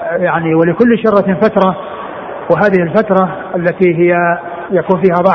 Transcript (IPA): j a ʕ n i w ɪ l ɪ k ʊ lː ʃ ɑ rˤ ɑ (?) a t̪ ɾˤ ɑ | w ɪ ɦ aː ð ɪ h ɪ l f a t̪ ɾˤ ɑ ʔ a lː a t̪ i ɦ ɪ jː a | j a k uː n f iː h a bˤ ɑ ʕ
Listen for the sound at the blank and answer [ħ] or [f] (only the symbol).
f